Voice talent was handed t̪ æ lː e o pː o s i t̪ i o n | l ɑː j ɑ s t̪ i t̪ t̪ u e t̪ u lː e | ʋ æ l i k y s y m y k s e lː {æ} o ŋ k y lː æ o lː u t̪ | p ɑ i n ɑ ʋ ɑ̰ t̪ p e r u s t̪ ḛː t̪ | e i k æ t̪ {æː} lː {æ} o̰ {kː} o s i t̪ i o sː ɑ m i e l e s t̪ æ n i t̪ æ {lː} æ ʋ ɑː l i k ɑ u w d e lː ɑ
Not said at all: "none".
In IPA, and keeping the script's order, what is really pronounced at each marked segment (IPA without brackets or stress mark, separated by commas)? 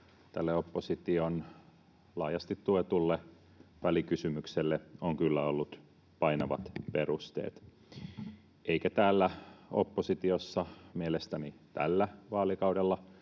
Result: e, æː, æ, pː, lː